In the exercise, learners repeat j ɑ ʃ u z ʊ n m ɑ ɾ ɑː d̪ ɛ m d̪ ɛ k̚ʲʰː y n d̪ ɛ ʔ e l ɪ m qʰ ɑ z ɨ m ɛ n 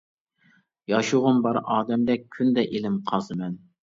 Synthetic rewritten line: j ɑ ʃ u ʁ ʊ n b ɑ ɾ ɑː d̪ ɛ m d̪ ɛ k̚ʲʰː y n d̪ ɛ ʔ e l ɪ m qʰ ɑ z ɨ m ɛ n

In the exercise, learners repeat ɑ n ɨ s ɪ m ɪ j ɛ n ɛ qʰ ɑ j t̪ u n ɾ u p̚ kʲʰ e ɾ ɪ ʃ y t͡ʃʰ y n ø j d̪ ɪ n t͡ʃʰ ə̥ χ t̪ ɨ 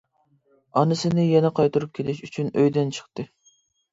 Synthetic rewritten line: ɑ n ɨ s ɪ n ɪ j ɛ n ɛ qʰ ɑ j t̪ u ɾ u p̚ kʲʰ e l ɪ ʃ y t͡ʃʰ y n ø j d̪ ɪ n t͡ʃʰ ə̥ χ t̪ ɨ

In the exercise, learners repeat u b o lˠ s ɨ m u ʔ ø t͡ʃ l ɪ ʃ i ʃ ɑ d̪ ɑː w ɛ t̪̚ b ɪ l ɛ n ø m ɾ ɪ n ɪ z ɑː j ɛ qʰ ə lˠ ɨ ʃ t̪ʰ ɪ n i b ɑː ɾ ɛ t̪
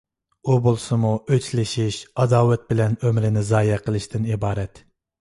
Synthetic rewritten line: u b o lˠ s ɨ m u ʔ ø t͡ʃ l ɪ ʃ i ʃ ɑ d̪ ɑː w ɛ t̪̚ b ɪ l ɛ n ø m ɾ ɪ n ɪ z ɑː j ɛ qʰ ə lˠ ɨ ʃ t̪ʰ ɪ n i b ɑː ɾ ɛ t̪

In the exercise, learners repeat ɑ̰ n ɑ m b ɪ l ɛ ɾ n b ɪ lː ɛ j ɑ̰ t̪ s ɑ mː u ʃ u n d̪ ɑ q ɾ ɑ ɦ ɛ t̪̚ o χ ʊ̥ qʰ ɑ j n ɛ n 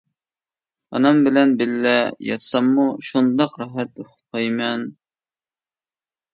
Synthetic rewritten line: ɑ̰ n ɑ m b ɪ l ɛ n b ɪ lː ɛ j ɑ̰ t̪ s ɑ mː u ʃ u n d̪ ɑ q ɾ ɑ ɦ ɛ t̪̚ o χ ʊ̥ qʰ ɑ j m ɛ n

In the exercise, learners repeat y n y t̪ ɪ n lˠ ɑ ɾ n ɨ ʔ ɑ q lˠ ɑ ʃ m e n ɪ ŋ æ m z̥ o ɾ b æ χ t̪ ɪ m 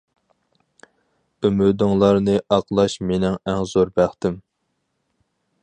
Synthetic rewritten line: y m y d̪ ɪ ŋ lˠ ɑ ɾ n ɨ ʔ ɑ q lˠ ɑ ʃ m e n ɪ ŋ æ ŋ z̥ o ɾ b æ χ t̪ ɪ m

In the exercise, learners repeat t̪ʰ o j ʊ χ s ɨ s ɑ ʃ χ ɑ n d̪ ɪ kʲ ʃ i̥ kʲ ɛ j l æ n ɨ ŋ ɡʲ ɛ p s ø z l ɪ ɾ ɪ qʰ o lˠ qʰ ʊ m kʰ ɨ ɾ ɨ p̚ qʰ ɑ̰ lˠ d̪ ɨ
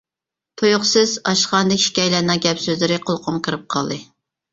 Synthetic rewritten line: t̪ʰ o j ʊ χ s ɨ z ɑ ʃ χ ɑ n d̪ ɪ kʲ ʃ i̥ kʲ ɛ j l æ n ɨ ŋ ɡʲ ɛ p s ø z l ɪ ɾ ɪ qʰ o lˠ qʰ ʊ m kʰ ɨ ɾ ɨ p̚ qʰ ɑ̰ lˠ d̪ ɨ

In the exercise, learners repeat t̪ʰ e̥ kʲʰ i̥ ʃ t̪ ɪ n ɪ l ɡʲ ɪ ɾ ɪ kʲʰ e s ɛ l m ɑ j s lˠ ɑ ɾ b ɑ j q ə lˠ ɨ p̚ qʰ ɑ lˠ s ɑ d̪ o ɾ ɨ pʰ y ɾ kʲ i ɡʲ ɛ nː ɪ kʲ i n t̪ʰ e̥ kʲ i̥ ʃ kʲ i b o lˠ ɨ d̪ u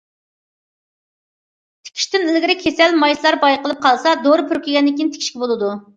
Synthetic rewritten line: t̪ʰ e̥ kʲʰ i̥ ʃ t̪ ɪ n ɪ l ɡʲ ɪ ɾ ɪ kʲʰ e s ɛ l m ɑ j s lˠ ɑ ɾ b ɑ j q ə lˠ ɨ p̚ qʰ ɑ lˠ s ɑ d̪ o ɾ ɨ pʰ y ɾ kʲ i ɡʲ ɛ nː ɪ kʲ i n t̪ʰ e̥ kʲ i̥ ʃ kʲ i b o lˠ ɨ d̪ u

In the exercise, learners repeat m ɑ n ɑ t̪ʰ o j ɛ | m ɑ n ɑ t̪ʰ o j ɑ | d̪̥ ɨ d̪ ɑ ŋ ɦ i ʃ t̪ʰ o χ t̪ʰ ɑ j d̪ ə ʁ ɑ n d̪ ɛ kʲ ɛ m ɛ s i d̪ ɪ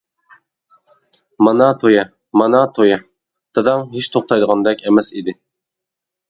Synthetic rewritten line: m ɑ n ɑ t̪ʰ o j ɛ | m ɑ n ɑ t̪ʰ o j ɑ | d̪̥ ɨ d̪ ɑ ŋ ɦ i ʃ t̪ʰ o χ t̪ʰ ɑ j d̪ ə ʁ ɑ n d̪ ɛ kʲ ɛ m ɛ s i d̪ ɪ

